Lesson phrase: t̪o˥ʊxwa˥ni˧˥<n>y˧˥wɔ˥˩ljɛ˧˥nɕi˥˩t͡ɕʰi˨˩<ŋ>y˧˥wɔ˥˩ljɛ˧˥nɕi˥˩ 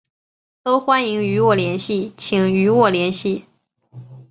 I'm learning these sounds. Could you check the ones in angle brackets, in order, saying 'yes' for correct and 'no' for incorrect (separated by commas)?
no, yes